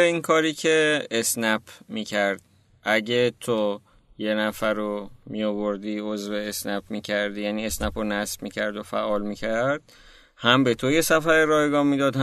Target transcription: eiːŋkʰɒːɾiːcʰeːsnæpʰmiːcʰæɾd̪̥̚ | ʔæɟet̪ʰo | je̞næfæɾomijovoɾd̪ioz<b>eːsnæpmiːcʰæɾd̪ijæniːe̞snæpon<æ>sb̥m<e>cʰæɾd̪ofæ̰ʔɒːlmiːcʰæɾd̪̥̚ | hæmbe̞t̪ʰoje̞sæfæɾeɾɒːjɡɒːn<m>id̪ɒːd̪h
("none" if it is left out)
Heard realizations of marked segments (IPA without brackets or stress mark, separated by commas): v, æ, i, m